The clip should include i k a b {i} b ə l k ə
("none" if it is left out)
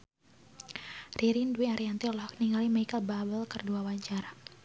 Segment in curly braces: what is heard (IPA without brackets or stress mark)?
a